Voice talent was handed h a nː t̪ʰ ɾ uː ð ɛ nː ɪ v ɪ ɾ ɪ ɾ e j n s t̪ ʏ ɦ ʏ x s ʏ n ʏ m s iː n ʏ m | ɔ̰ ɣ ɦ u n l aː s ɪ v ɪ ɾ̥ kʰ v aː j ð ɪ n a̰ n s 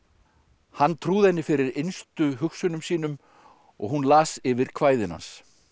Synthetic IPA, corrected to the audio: h a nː t̪ʰ ɾ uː ð ɛ nː ɪ f ɪ ɾ ɪ ɾ e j n s t̪ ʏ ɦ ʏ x s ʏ n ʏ m s iː n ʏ m | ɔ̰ ɣ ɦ u n l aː s ɪ v ɪ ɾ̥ kʰ v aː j ð ɪ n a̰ n s